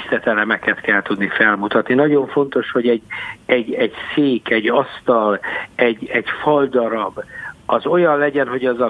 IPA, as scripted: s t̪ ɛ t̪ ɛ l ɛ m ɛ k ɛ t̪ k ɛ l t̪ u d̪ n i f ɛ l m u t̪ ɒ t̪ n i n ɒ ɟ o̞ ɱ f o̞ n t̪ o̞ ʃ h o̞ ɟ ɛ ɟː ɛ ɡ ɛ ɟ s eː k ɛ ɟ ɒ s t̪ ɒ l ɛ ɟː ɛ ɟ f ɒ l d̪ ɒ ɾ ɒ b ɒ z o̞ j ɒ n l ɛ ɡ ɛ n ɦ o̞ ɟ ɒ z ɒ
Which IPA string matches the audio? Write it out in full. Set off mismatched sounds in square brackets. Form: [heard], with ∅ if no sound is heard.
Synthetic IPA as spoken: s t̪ ɛ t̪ ɛ l ɛ m ɛ k ɛ t̪ k ɛ l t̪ u d̪ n i f ɛ l m u t̪ ɒ t̪ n i n ɒ ɟ o̞ ɱ f o̞ n t̪ o̞ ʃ h o̞ ɟ ɛ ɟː ɛ [ɟ] ɛ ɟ s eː k ɛ ɟ ɒ s t̪ ɒ l ɛ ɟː ɛ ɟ f ɒ l d̪ ɒ ɾ ɒ b ɒ z o̞ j ɒ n l ɛ [ɟ] ɛ n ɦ o̞ ɟ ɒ z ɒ